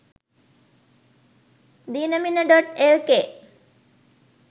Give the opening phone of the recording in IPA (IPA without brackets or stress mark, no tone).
d̪